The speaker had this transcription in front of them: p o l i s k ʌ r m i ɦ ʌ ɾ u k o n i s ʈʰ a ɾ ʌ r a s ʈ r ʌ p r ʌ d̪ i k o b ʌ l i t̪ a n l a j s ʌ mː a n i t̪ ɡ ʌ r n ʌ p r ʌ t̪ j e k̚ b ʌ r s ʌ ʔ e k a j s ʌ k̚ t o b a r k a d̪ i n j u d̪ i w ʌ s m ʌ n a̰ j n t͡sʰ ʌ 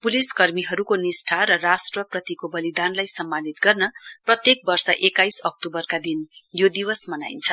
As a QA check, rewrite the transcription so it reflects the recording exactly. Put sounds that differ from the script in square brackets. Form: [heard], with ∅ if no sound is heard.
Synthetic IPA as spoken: p [u] l i s k ʌ r m i ɦ ʌ ɾ u k o n i s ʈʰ a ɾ ʌ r a s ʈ r ʌ p r ʌ [t̪] i k o b ʌ l i [d̪] a n l a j s ʌ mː a n i t̪ ɡ ʌ r n ʌ p r ʌ t̪ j e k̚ b ʌ r s ʌ ʔ e k a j s ʌ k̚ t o b [ʌ] r k a d̪ i n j [o] d̪ i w ʌ s m ʌ n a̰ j n t͡sʰ ʌ

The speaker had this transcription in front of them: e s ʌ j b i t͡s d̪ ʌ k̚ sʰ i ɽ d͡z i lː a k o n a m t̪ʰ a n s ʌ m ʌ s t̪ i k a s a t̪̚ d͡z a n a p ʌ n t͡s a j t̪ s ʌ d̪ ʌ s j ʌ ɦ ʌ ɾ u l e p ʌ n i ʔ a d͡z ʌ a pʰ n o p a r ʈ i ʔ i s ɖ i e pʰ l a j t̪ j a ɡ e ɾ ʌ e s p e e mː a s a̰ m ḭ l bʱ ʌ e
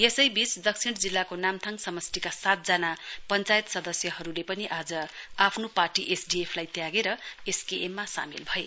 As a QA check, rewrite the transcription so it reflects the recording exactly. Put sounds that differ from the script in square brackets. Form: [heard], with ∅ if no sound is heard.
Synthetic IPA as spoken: e s ʌ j b i t͡s d̪ ʌ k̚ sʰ i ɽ d͡z i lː a k o n a m t̪ʰ a [ŋ] s ʌ m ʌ s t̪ i k a s a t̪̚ d͡z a n a p ʌ n t͡s a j t̪ s ʌ d̪ ʌ s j ʌ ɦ ʌ ɾ u l e p ʌ n i ʔ a d͡z ʌ a pʰ n o p a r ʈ i ʔ [e] s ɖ i e pʰ l a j t̪ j a ɡ e ɾ ʌ e s [k] e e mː a s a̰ m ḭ l bʱ ʌ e

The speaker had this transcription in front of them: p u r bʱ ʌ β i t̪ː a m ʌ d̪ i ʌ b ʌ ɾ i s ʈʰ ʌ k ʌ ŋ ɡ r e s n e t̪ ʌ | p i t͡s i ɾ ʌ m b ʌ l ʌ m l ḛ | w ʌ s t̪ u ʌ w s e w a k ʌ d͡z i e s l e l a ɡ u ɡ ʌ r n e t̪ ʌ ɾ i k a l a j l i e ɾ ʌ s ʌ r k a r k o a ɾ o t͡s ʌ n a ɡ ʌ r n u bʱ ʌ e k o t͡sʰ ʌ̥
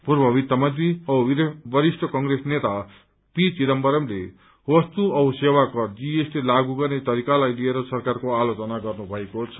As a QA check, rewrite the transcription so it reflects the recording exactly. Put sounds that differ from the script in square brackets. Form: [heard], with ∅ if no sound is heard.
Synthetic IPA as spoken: p u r bʱ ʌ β i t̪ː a m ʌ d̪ i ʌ b ʌ ɾ i s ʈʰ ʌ k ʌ ŋ ɡ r e s n e t̪ [a] | p i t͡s i ɾ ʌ m b ʌ [ɾ] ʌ m l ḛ | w ʌ s t̪ u ʌ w s e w a k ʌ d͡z i e s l e l a ɡ u ɡ ʌ r n e t̪ ʌ ɾ i k a l a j l i e ɾ ʌ s ʌ r k a r k o a [l] o t͡s ʌ n a ɡ ʌ r n u bʱ ʌ e k o t͡sʰ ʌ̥

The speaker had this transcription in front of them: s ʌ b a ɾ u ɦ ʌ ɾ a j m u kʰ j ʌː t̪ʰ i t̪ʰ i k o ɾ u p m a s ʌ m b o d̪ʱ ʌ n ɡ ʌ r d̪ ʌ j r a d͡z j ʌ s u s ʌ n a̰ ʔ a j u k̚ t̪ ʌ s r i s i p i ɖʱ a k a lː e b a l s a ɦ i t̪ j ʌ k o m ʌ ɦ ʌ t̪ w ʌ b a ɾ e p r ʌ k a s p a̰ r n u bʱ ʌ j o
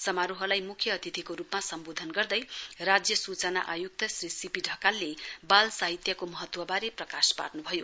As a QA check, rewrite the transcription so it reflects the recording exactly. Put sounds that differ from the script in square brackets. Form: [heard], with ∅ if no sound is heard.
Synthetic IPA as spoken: s ʌ [m] a ɾ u ɦ ʌ [l] a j m u kʰ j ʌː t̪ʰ i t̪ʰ i k o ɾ u p m a s ʌ m b o d̪ʱ ʌ n ɡ ʌ r d̪ ʌ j r a d͡z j ʌ s u [t͡s] ʌ n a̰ ʔ a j u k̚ t̪ ʌ s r i s i p i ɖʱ [ʌ] k a lː e b a l s a ɦ i t̪ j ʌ k o m ʌ ɦ ʌ t̪ w ʌ b a ɾ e p r ʌ k a s p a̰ r n u bʱ ʌ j o

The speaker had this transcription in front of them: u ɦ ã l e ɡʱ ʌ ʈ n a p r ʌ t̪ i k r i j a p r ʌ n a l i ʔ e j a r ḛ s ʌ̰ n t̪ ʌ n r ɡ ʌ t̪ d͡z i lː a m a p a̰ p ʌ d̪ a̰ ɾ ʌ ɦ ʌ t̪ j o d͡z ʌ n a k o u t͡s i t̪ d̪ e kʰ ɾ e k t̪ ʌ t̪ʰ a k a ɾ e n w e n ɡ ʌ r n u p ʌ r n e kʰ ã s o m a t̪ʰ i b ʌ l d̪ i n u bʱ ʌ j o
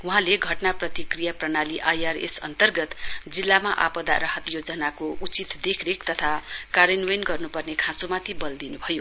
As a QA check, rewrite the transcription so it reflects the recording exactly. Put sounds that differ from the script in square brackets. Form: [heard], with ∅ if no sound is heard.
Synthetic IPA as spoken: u ɦ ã l e ɡʱ ʌ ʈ n a p r ʌ t̪ i k r i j a p r ʌ n a l i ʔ [a] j a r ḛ s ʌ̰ n t̪ ʌ [∅] r ɡ ʌ t̪ d͡z i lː a m a [ʔ] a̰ p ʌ d̪ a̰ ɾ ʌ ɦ ʌ t̪ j o d͡z ʌ n a k o u t͡s i t̪ d̪ e kʰ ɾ e k t̪ ʌ t̪ʰ a k a ɾ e n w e n ɡ ʌ r n u p ʌ r n e kʰ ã s o m a t̪ʰ i b ʌ l d̪ i n u bʱ ʌ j o

